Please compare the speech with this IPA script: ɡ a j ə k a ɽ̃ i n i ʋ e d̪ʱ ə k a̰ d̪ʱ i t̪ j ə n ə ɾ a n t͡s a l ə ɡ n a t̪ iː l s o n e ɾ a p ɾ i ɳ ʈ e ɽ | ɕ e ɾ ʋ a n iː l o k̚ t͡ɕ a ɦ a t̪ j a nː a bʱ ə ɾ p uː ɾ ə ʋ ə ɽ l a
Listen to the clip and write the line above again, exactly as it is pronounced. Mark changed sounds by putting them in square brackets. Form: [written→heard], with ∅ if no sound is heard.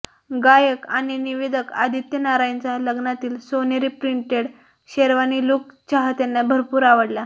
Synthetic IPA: ɡ a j ə k a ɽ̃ i n i ʋ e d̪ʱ ə k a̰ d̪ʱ i t̪ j ə n [ə→a] ɾ a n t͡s a l ə ɡ n a t̪ iː l s o n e ɾ [a→i] p ɾ i ɳ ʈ e ɽ | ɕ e ɾ ʋ a n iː l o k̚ t͡ɕ a ɦ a t̪ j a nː a bʱ ə ɾ p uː ɾ [ə→a] ʋ ə ɽ l a